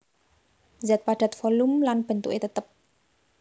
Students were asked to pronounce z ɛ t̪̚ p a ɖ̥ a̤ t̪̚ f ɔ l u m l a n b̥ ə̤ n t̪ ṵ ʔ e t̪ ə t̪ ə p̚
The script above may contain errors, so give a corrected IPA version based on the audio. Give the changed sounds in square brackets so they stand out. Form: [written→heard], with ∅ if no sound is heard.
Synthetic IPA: z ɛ t̪̚ p a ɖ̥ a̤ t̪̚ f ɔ l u m l a n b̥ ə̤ n t̪ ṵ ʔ e t̪ ə t̪ ə p̚